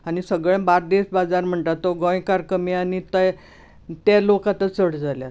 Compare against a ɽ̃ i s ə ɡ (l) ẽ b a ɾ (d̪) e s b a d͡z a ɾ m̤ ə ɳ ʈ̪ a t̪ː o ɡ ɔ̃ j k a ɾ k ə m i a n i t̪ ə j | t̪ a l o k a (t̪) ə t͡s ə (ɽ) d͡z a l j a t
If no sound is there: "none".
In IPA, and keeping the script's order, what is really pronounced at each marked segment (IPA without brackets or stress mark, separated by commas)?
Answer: ɭ, d̪, t̪, ɽ